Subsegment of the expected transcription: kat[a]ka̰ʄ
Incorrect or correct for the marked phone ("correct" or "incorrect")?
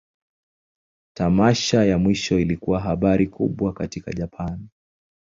incorrect